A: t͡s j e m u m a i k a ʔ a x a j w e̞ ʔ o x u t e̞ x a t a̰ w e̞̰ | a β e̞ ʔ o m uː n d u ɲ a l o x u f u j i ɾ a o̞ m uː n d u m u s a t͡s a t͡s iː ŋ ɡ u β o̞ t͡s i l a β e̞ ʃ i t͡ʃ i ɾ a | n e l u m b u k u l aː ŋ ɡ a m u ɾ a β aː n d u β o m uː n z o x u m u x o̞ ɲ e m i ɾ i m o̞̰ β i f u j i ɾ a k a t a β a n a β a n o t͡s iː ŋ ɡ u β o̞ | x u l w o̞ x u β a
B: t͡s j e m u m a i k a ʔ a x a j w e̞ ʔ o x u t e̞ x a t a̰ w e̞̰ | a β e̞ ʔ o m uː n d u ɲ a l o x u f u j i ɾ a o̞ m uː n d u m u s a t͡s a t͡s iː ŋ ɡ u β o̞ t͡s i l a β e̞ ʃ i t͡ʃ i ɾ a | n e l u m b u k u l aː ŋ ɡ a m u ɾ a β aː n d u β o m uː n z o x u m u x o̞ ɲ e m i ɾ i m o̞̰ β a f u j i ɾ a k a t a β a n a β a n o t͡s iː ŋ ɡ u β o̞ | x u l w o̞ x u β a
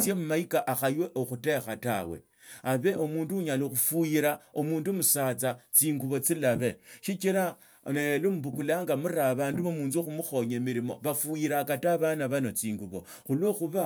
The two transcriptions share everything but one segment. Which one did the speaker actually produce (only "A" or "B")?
B